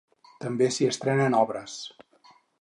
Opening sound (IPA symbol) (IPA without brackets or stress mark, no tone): t̪